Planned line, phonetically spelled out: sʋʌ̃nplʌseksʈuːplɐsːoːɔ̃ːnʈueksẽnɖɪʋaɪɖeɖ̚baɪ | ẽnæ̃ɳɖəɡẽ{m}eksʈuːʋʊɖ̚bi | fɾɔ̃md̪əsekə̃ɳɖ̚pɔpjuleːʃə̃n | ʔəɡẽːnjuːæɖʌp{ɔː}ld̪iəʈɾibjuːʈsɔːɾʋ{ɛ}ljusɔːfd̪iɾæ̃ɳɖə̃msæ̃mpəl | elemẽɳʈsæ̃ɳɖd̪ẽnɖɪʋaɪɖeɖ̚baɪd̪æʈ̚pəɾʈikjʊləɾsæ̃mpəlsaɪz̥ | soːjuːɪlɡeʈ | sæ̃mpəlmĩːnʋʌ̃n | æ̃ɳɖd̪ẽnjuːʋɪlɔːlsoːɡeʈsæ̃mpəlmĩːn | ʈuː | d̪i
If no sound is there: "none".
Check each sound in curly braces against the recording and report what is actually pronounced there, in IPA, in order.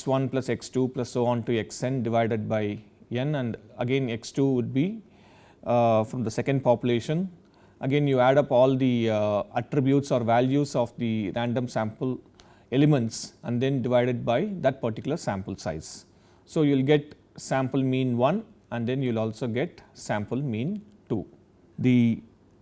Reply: n, ɔː, æ

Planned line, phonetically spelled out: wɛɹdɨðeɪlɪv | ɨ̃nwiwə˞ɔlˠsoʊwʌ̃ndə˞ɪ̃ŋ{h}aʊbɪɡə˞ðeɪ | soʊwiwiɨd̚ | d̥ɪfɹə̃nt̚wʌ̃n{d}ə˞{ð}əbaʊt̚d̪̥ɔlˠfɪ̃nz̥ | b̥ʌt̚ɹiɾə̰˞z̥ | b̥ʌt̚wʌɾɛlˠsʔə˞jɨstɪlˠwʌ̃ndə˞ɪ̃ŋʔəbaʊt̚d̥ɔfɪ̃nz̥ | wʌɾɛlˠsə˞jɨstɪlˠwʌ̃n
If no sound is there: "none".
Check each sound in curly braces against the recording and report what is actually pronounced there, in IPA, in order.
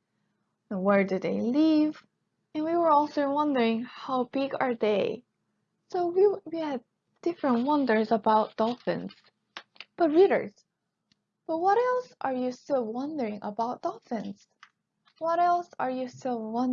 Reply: h, d, z

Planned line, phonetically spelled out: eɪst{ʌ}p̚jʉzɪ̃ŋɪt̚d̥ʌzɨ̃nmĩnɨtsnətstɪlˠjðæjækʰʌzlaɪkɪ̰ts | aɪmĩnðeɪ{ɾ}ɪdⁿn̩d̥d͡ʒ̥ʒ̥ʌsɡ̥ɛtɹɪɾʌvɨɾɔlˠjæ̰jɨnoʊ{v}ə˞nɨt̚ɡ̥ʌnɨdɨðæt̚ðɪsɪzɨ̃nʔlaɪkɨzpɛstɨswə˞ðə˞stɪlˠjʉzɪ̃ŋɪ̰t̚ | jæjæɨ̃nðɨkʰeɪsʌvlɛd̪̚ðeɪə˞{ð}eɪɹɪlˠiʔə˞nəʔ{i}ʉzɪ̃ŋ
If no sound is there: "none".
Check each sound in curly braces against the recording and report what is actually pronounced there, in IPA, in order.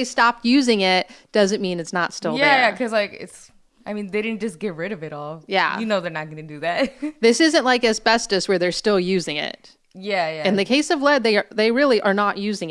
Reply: ɑ, ɾ, ð, ð, j

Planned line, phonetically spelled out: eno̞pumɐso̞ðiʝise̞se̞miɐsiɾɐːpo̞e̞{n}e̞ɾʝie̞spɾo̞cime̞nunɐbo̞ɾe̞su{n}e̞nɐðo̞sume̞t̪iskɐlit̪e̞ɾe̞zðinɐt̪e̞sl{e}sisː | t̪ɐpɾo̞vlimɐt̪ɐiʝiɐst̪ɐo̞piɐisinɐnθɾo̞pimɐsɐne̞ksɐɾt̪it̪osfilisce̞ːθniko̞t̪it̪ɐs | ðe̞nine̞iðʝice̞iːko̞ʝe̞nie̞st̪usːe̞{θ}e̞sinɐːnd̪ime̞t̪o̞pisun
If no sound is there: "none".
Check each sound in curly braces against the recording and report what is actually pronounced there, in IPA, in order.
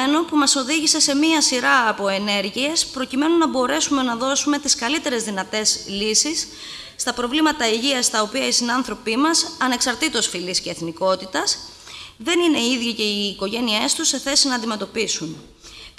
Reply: n, m, i, θ

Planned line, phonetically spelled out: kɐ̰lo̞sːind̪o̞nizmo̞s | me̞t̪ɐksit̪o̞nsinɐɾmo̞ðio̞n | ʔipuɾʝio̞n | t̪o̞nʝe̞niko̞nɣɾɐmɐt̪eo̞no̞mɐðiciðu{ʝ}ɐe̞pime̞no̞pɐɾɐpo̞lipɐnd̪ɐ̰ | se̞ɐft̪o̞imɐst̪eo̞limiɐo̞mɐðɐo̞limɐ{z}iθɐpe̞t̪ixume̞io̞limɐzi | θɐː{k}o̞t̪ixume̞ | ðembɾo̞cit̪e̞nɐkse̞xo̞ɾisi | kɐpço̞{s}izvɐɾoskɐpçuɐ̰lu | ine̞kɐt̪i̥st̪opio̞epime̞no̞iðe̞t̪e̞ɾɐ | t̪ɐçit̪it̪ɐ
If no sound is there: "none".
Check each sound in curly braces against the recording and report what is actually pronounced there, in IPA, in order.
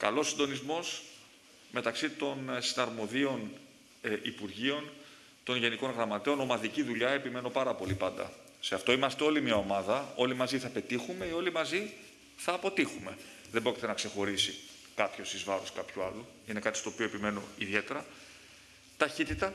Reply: ʎ, z, p, s

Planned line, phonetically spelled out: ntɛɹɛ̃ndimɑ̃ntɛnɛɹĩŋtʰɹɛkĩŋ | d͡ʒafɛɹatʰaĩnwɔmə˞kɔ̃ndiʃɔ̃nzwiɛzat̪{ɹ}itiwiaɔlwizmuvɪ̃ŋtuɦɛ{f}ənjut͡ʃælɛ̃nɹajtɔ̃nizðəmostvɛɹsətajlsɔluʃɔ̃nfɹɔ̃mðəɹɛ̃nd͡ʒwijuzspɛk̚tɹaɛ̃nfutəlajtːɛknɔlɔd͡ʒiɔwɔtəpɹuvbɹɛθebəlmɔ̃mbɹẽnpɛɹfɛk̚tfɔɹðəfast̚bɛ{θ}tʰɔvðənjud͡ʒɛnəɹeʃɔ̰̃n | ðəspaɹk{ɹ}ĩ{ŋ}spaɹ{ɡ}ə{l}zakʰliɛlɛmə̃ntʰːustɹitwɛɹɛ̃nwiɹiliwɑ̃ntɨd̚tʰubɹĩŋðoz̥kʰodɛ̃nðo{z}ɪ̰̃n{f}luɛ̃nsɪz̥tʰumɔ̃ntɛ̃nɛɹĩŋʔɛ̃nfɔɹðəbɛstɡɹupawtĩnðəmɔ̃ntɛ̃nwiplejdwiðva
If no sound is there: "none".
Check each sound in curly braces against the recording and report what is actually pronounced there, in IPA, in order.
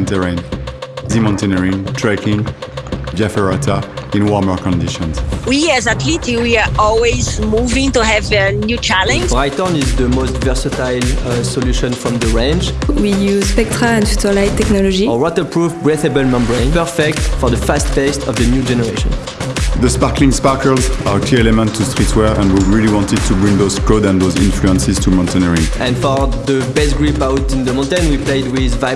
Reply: l, v, s, l, ŋ, k, l, z, f

